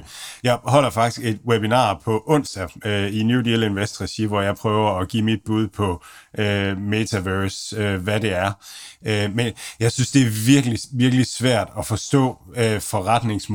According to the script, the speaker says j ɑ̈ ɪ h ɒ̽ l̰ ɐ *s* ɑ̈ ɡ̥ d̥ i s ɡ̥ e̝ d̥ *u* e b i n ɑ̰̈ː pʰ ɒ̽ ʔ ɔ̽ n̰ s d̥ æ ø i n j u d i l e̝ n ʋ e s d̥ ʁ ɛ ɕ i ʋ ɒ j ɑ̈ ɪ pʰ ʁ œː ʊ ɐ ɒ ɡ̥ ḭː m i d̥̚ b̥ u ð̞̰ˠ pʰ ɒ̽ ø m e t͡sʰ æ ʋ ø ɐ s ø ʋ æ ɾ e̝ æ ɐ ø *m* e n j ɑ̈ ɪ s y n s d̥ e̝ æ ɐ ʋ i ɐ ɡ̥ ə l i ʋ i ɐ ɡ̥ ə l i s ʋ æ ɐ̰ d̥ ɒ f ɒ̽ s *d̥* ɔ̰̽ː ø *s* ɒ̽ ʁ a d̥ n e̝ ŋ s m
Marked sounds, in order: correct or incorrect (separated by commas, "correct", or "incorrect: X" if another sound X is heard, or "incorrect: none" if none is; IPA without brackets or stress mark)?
incorrect: f, incorrect: w, correct, correct, incorrect: f